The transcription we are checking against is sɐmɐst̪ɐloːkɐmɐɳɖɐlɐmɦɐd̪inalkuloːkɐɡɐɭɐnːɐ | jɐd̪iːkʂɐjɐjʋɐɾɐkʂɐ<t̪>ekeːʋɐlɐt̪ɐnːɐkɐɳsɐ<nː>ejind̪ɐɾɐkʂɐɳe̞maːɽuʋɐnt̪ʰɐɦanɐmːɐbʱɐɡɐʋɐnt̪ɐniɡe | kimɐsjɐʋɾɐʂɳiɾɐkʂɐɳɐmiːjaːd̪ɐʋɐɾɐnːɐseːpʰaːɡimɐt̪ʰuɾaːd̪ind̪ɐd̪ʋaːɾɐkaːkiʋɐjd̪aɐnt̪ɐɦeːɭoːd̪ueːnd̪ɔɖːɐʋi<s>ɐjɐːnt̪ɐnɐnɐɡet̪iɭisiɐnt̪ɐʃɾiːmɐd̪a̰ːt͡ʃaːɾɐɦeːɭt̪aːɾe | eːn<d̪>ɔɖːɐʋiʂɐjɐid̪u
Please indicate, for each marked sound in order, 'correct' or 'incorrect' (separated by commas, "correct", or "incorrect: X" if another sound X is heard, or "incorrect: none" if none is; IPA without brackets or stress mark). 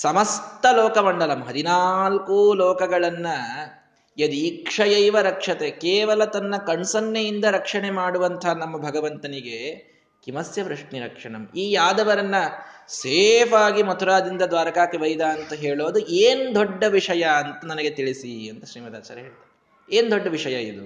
correct, correct, incorrect: ʂ, correct